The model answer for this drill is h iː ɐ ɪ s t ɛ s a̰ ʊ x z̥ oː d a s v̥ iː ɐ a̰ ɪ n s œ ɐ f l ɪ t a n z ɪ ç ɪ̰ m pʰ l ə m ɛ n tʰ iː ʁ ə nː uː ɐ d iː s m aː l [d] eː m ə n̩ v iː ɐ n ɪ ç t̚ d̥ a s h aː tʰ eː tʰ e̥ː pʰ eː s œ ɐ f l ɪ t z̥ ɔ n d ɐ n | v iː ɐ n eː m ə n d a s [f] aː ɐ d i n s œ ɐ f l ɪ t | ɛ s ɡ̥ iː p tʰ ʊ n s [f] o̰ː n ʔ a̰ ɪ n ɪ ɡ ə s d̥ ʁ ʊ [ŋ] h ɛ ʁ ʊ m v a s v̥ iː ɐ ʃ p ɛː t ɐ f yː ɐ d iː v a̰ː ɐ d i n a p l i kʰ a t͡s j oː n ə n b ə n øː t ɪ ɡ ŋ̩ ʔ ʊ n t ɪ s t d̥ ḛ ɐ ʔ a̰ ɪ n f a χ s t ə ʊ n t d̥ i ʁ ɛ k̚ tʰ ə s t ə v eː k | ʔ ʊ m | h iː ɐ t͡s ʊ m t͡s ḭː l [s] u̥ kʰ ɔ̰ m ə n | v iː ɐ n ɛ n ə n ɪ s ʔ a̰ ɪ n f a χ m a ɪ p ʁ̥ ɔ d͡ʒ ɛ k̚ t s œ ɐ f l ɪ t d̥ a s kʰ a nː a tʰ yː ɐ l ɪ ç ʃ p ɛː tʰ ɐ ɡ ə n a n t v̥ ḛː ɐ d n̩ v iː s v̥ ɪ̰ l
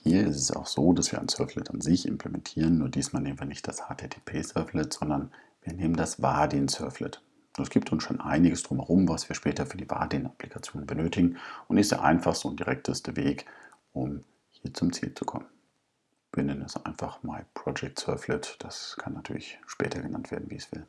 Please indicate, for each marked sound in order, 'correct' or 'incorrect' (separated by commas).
incorrect, incorrect, incorrect, incorrect, incorrect